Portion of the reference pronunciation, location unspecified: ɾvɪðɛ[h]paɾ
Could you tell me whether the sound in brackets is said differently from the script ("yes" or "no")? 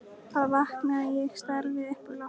no